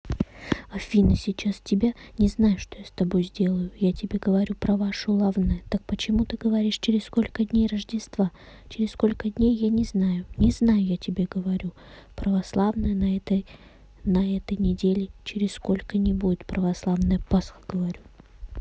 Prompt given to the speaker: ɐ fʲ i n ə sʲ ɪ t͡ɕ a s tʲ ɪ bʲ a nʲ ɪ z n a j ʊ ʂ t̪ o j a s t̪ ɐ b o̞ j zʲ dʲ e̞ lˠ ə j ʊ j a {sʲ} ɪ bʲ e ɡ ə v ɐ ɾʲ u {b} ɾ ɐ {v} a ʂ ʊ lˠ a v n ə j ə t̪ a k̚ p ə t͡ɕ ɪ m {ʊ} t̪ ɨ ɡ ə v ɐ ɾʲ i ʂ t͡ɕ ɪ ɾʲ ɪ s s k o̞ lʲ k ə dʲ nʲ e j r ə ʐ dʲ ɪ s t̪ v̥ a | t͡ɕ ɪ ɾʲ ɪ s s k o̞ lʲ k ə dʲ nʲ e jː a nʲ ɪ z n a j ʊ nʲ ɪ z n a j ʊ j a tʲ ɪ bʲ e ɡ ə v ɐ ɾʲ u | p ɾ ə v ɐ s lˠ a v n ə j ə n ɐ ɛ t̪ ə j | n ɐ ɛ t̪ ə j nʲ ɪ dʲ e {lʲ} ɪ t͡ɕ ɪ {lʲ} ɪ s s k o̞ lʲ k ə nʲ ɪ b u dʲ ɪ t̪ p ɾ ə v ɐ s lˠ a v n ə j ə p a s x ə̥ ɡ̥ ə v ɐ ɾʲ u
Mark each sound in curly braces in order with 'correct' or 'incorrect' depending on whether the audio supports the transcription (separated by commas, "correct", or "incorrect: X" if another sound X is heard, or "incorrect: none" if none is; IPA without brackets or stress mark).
incorrect: tʲ, incorrect: p, correct, incorrect: u, correct, incorrect: ɾʲ